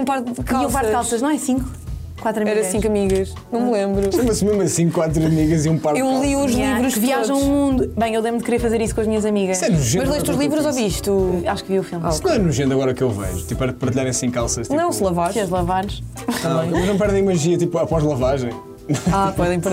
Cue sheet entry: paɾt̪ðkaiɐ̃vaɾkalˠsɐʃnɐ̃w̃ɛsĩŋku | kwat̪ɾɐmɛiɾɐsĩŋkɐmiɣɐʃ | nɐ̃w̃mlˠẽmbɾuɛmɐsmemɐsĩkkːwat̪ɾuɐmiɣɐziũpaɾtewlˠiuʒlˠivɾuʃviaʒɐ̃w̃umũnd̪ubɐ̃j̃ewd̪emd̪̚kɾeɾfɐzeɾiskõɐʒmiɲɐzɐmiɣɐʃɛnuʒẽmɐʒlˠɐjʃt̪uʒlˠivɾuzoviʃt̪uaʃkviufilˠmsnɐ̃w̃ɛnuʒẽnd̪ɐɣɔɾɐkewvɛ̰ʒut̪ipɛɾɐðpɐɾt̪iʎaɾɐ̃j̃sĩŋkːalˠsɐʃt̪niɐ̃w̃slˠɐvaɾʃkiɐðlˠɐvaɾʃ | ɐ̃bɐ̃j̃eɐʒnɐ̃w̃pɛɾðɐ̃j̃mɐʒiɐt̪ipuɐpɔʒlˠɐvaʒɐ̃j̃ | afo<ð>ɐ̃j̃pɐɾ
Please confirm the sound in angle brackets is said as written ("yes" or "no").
yes